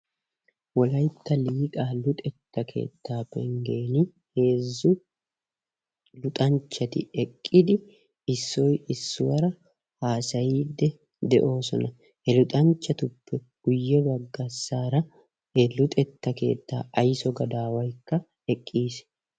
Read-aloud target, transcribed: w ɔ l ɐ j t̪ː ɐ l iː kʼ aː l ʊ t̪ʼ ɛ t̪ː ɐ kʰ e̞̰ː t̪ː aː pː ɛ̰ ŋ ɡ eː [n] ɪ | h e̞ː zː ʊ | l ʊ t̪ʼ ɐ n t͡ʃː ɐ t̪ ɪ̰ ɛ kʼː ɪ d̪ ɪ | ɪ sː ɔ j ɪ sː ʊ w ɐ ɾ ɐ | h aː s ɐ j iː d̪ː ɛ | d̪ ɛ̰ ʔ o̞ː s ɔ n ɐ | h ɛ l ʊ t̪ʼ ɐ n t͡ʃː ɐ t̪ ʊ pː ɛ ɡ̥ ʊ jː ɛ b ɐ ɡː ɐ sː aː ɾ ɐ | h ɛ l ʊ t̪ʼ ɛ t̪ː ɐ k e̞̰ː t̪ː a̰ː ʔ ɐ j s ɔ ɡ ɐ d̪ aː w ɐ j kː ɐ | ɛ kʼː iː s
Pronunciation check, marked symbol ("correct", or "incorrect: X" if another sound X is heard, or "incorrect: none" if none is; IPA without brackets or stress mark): correct